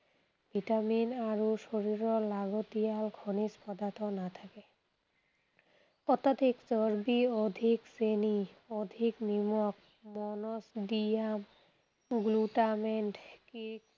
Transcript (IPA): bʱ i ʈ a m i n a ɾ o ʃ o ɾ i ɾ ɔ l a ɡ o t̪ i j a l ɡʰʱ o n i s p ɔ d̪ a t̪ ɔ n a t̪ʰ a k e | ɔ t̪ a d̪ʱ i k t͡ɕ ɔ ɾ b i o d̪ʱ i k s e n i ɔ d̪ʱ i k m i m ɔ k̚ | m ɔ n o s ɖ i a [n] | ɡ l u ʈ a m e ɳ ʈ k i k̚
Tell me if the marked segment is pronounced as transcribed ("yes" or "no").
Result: no